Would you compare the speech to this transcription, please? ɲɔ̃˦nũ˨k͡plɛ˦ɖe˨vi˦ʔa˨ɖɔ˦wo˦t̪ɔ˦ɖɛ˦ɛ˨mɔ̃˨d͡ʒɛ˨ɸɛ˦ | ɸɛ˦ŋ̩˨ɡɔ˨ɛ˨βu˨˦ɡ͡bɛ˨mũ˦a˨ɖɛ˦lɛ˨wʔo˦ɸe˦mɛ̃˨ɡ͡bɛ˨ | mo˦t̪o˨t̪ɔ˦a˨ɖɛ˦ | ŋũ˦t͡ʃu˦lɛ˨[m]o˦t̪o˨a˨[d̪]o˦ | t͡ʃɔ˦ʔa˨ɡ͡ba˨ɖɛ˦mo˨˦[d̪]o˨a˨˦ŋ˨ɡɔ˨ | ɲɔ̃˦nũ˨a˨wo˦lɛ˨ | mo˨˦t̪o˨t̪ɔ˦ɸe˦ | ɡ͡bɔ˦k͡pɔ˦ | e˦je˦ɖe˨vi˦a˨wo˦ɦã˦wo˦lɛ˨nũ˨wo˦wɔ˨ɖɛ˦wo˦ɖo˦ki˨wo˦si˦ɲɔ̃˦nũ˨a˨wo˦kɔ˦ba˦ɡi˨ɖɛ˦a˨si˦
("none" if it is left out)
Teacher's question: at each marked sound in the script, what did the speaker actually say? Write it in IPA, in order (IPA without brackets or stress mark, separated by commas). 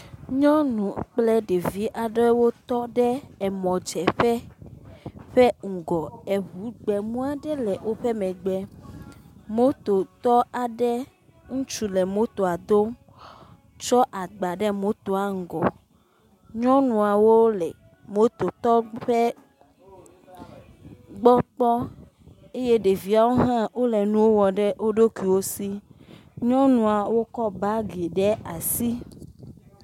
m, d̪, t̪